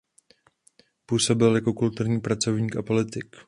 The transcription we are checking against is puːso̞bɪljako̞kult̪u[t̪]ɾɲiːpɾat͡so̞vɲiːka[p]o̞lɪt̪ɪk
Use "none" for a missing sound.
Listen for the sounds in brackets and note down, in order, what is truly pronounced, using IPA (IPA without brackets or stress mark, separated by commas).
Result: none, p